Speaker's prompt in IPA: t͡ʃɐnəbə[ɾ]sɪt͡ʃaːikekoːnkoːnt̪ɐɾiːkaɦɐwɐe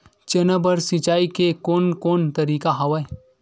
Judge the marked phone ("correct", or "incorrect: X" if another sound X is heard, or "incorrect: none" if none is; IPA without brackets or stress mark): correct